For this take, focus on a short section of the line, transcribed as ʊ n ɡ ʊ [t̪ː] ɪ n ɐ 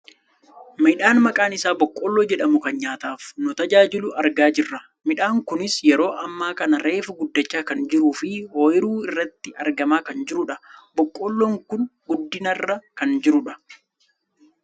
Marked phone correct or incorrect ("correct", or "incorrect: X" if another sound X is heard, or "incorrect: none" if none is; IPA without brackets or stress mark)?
incorrect: d̪ː